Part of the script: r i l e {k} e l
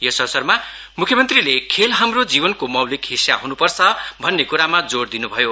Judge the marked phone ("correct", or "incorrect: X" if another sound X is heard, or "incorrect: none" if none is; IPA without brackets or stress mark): incorrect: kʰ